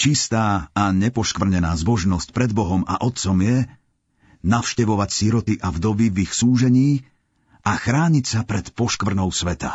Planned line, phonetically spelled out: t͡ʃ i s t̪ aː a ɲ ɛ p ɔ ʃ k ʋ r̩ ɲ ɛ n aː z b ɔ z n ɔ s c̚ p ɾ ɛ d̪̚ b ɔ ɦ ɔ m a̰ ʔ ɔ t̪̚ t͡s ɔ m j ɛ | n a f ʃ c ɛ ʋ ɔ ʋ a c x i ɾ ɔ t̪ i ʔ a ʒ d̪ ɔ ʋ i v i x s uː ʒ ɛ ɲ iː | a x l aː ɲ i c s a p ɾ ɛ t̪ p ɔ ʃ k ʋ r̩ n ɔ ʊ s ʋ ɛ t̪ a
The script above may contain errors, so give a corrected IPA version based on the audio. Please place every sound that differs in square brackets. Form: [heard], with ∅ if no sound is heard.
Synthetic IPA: t͡ʃ i s t̪ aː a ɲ ɛ p ɔ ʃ k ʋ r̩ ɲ ɛ n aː z b ɔ [ʒ] n ɔ s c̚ p ɾ ɛ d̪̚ b ɔ ɦ ɔ m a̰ ʔ ɔ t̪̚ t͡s ɔ m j ɛ | n a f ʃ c ɛ ʋ ɔ ʋ a c [s] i ɾ ɔ t̪ i ʔ a [v] d̪ ɔ ʋ i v i x s uː ʒ ɛ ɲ iː | a x [ɾ] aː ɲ i c s a p ɾ ɛ t̪ p ɔ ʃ k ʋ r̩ n ɔ ʊ s ʋ ɛ t̪ a